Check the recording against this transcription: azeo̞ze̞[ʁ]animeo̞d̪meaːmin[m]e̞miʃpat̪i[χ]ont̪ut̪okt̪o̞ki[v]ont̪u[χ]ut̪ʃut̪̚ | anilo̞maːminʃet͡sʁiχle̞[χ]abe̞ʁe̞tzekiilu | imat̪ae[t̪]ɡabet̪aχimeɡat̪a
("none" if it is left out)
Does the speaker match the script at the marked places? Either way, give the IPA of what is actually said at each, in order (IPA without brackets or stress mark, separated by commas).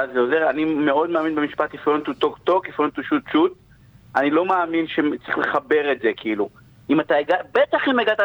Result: ʁ, b, f, f, ʃ, χ, none